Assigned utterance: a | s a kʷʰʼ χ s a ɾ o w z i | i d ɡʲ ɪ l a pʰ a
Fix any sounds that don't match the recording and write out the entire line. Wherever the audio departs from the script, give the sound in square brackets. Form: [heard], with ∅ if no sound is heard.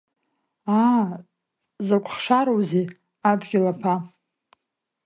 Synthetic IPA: a | [z] a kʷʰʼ χ [ʂ] a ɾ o w z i | [a] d ɡʲ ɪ l a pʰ a